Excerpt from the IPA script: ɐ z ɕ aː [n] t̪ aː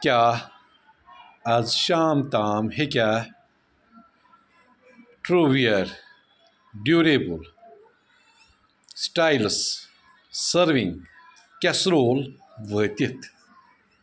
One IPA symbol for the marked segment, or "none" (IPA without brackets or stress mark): m